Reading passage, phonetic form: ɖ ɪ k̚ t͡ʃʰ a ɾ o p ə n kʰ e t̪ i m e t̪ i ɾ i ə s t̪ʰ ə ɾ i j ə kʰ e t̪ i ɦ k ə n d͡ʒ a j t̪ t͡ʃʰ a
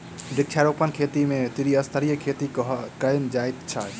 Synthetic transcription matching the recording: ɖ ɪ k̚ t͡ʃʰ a ɾ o p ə n kʰ e t̪ i m e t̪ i ɾ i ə s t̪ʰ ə ɾ i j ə kʰ e t̪ i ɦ k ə n d͡ʒ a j t̪ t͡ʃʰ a